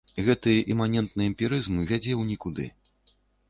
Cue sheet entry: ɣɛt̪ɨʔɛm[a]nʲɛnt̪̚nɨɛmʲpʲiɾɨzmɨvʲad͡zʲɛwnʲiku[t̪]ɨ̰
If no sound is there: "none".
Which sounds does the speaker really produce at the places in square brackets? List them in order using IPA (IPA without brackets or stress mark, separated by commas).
a, d̪